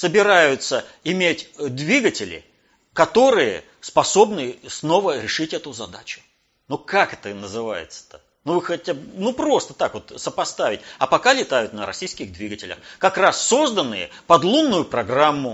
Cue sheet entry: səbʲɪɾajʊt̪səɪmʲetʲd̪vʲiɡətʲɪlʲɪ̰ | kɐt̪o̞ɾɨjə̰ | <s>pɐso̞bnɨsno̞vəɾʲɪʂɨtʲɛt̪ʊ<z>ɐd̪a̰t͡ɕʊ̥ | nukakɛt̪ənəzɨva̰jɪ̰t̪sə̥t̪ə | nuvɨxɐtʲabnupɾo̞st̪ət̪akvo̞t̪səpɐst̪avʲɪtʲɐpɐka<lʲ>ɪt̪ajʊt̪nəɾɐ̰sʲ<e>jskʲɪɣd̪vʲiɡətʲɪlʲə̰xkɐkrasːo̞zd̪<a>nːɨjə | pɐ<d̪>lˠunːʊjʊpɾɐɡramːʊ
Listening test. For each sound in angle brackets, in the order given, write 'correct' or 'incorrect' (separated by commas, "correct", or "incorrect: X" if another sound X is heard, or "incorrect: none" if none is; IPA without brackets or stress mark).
correct, correct, correct, incorrect: i, incorrect: ə, correct